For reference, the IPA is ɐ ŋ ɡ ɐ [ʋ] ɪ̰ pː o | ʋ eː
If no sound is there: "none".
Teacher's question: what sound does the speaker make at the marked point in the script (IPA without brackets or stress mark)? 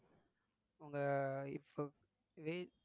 none